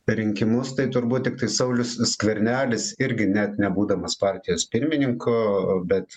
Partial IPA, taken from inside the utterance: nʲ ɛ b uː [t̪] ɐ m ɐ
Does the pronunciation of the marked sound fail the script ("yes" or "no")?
yes